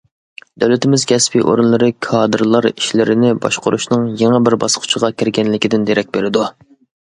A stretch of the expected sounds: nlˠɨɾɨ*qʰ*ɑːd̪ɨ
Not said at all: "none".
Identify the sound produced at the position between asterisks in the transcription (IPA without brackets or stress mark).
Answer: kʰ